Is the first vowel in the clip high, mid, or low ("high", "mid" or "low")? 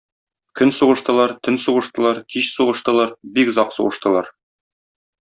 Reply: mid